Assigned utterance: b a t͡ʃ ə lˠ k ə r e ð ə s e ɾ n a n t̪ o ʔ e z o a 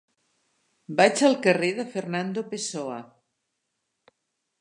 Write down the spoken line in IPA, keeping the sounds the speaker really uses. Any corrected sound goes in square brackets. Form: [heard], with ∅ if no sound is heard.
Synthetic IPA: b a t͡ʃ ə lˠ k ə r e ð ə [f] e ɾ n a n [d̪] o [p] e [s] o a